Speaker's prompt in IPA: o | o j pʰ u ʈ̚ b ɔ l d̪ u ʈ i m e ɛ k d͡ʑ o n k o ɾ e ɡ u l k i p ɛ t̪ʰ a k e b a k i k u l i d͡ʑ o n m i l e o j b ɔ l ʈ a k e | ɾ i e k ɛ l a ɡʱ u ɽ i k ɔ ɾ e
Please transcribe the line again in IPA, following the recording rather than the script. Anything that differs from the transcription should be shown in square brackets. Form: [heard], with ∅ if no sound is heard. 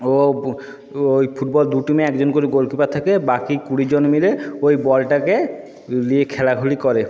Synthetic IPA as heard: o | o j pʰ u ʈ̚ b ɔ l d̪ u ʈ i m e ɛ k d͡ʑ o n k o ɾ [i] ɡ [o] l k i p [a] t̪ʰ a k e b a k i k u [ɽ] i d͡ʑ o n m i l e o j b ɔ l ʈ a k e | [l] i e [kʰ] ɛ l a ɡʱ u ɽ i k ɔ ɾ e

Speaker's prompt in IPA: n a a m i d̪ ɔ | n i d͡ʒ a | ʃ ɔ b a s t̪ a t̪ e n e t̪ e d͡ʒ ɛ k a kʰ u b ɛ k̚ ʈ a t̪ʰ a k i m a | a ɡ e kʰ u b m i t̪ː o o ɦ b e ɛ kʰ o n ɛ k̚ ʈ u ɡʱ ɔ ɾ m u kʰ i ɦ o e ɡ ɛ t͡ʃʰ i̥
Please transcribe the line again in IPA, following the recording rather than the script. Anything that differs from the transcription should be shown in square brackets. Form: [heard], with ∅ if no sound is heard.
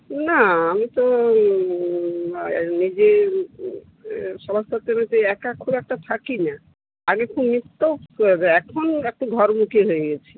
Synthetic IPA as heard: n a a m i [t̪] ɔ | n i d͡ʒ [e] | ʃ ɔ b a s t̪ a t̪ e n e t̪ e [∅] ɛ k a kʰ u b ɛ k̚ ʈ a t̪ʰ a k i [n] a | a ɡ e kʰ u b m i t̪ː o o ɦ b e ɛ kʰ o n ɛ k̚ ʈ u ɡʱ ɔ ɾ m u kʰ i ɦ o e ɡ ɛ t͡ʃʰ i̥

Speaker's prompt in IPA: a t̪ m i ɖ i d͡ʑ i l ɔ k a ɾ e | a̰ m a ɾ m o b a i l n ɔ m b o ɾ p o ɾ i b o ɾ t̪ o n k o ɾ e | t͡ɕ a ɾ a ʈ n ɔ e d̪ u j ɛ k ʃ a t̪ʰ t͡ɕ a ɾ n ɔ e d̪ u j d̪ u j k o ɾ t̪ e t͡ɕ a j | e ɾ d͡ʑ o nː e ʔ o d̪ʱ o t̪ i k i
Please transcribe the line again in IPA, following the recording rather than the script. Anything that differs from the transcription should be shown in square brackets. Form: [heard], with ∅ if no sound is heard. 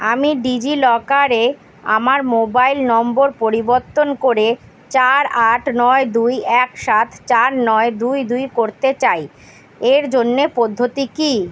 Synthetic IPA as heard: a [∅] m i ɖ i d͡ʑ i l ɔ k a ɾ e | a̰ m a ɾ m o b a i l n ɔ m b o ɾ p o ɾ i b o ɾ t̪ o n k o ɾ e | t͡ɕ a ɾ a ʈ n ɔ e d̪ u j ɛ k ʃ a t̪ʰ t͡ɕ a ɾ n ɔ e d̪ u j d̪ u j k o ɾ t̪ e t͡ɕ a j | e ɾ d͡ʑ o nː e [p] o [d̪ʱː] o t̪ i k i

